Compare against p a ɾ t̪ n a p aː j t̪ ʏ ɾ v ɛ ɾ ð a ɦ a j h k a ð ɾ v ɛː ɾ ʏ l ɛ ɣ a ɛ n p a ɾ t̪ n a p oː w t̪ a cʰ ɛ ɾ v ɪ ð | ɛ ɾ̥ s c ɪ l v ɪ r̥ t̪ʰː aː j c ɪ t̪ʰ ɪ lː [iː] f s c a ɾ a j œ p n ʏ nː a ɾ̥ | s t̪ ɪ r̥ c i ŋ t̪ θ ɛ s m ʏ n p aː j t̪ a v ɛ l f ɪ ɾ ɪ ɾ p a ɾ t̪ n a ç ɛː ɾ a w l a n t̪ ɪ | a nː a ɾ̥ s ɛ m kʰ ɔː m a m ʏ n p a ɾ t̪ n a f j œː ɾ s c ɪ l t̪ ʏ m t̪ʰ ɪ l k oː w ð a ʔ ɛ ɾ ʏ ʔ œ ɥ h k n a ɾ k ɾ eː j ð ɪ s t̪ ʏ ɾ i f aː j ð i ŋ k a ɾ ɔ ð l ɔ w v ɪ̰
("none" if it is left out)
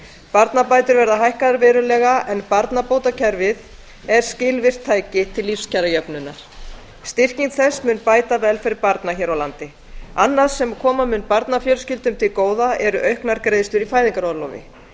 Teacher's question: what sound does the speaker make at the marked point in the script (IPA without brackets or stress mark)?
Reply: i